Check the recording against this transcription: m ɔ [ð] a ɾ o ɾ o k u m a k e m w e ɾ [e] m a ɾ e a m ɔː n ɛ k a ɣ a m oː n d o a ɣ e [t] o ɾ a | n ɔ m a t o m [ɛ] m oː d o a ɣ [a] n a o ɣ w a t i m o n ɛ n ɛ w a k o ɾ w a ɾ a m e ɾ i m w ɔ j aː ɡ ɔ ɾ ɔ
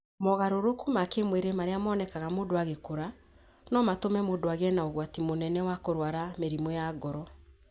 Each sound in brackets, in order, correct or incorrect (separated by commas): incorrect, correct, incorrect, correct, incorrect